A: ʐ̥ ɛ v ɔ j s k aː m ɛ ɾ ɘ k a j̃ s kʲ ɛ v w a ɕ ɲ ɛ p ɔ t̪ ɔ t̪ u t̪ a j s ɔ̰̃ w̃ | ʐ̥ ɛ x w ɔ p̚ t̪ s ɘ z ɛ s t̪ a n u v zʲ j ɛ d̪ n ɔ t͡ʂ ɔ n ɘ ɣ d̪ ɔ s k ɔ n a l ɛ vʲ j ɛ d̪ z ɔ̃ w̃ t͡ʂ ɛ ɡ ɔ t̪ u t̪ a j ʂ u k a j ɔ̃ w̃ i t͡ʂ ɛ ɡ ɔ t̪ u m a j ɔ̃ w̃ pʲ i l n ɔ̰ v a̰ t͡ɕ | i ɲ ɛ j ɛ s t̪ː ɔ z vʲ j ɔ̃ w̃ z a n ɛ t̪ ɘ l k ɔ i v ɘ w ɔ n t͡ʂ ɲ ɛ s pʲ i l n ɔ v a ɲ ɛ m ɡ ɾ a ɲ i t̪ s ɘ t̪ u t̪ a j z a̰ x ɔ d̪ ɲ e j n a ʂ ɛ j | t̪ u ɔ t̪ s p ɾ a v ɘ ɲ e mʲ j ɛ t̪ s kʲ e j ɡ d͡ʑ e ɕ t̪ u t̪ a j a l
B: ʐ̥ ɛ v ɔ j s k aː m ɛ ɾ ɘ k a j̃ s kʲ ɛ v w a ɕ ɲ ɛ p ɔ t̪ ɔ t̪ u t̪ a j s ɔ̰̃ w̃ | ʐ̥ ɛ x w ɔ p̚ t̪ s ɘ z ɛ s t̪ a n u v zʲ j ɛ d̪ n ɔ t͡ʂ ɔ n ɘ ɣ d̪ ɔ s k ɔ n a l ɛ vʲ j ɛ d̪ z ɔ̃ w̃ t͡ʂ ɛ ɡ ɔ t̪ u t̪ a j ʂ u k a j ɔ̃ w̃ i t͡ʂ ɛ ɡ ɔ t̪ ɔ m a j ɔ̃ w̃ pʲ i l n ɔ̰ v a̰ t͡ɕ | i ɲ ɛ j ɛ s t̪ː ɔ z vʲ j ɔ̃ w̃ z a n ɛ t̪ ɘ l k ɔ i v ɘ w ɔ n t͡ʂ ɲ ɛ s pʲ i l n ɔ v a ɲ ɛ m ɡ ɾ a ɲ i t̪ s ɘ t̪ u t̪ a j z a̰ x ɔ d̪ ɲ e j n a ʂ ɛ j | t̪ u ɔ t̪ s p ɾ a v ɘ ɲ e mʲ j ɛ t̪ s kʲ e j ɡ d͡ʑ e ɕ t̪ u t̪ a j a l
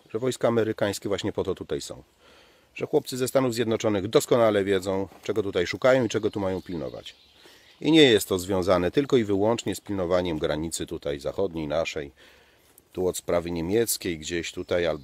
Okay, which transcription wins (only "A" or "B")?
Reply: A